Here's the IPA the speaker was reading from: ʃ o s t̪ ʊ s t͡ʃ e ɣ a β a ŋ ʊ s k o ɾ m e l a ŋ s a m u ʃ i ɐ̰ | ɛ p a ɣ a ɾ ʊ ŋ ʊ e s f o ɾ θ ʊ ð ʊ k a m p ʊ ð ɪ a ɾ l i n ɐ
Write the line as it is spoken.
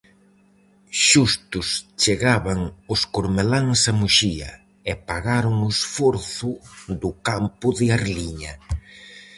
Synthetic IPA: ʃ u s t̪ ʊ s t͡ʃ e ɣ a β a ŋ ʊ s k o ɾ m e l a ŋ s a m u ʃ i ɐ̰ | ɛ p a ɣ a ɾ ʊ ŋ ʊ e s f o ɾ θ ʊ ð ʊ k a m p ʊ ð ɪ a ɾ l i ɲ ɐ